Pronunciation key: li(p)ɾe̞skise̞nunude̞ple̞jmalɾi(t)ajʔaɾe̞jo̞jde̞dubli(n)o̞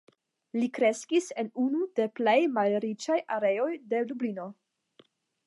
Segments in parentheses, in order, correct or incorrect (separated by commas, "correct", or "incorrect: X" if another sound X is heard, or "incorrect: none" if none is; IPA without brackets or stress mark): incorrect: k, incorrect: t͡ʃ, correct